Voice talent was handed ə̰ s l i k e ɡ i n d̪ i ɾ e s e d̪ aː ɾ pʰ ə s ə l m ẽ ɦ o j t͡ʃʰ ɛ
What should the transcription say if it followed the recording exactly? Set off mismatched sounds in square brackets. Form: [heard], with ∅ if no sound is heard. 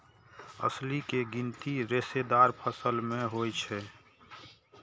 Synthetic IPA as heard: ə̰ s l i k e ɡ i n [t̪] i ɾ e s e d̪ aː ɾ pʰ ə s ə l m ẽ ɦ o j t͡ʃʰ ɛ